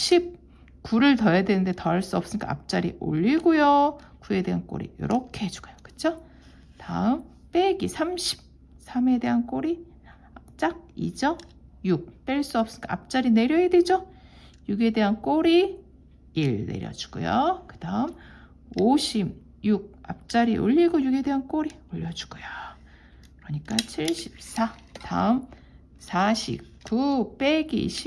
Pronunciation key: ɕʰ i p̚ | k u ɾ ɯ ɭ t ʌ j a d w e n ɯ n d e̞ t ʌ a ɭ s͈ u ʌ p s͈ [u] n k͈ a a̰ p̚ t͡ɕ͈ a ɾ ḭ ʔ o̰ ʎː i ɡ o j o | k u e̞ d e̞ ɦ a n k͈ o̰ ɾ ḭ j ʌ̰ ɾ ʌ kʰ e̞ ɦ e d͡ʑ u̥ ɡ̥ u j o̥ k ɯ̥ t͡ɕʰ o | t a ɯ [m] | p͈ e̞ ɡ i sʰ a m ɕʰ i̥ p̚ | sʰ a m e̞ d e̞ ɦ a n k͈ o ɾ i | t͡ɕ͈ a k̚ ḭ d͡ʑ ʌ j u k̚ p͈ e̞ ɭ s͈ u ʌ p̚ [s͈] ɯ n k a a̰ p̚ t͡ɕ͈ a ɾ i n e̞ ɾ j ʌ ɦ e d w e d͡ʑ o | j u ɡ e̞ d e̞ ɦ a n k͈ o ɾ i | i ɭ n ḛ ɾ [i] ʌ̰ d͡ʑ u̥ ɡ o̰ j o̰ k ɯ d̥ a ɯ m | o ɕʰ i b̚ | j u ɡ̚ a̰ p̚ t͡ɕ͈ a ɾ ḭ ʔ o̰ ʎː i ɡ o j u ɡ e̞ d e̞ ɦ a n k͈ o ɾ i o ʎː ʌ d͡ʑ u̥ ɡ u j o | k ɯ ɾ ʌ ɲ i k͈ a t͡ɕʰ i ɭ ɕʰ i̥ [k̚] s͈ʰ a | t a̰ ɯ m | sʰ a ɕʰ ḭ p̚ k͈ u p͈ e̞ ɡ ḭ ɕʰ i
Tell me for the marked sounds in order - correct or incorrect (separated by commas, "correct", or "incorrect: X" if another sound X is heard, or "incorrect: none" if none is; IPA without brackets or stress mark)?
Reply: incorrect: ɯ, correct, correct, incorrect: j, incorrect: p̚